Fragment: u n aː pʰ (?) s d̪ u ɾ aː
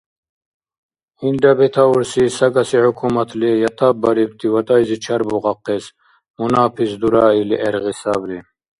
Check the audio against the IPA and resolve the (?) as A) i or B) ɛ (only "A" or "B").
A